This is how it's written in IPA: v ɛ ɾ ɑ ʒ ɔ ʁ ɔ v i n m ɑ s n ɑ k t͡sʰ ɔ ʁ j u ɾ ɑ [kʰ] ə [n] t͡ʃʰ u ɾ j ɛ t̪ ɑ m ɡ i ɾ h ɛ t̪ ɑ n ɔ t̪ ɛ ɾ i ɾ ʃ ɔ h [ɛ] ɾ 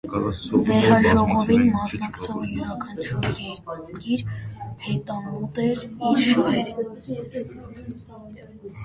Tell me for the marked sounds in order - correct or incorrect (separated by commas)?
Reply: correct, correct, correct